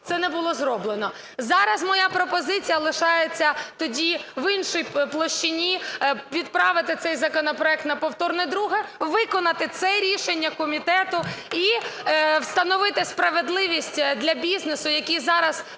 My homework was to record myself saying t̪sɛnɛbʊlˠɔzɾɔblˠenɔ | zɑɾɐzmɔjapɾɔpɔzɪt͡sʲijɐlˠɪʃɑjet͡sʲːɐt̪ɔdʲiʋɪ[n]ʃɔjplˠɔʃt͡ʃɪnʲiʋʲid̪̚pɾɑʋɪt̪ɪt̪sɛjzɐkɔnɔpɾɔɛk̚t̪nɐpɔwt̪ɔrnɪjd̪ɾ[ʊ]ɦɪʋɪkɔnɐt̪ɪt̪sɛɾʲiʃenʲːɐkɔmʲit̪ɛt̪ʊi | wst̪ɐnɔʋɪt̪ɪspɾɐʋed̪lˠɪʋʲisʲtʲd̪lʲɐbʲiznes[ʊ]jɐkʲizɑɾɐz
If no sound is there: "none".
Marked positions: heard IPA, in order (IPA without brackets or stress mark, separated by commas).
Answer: n, u, ʊ